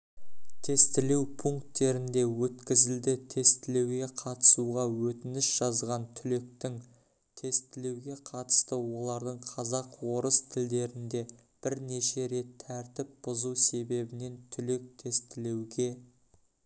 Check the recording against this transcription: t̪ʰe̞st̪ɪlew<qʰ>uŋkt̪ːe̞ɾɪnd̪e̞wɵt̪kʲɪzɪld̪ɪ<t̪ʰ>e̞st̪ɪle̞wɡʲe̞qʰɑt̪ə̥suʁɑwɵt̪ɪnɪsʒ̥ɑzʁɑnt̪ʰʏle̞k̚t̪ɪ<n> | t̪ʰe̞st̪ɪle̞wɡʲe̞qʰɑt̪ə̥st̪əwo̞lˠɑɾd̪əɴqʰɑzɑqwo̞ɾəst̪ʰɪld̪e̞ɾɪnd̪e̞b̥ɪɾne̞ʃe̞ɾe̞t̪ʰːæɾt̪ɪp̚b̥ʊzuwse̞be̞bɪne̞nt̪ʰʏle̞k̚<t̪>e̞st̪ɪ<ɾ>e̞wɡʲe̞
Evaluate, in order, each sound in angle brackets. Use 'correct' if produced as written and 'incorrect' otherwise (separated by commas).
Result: incorrect, correct, incorrect, incorrect, incorrect